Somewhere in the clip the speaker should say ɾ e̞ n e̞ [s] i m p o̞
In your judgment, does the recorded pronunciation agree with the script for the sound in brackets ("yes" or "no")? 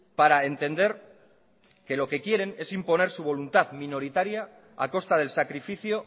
yes